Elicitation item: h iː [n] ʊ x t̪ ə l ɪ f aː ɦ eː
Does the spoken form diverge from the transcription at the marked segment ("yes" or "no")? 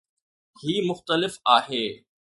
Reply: yes